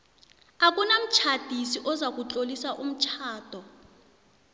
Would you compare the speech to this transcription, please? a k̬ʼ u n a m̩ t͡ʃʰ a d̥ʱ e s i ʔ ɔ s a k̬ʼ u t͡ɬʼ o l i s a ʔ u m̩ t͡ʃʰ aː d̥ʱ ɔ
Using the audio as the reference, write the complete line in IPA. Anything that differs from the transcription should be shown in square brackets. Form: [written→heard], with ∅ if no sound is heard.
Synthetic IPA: a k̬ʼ u n a m̩ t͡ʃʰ a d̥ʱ [e→i] s i ʔ ɔ [s→z] a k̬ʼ u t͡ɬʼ o l i s a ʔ u m̩ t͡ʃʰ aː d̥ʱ ɔ